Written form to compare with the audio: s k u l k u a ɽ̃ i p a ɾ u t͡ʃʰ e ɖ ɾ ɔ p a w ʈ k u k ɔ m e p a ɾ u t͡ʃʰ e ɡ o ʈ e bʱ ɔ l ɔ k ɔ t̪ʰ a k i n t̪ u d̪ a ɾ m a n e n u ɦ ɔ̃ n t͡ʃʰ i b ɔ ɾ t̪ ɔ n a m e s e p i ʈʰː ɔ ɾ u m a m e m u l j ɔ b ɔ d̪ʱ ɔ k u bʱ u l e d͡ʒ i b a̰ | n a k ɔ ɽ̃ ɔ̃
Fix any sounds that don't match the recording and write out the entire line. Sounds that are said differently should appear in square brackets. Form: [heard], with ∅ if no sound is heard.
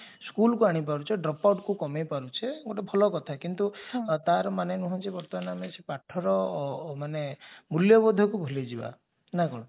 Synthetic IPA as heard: s k u l k u a ɽ̃ i p a ɾ u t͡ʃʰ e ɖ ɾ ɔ p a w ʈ k u k ɔ m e p a ɾ u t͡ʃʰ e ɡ o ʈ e bʱ ɔ l ɔ k ɔ t̪ʰ a k i n t̪ u [t̪] a ɾ m a n e n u ɦ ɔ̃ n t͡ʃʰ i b ɔ ɾ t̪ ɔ n a m e s e p [a] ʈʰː ɔ ɾ [ɔ] m a [n] e m u l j ɔ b ɔ d̪ʱ ɔ k u bʱ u l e d͡ʒ i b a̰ | n a k ɔ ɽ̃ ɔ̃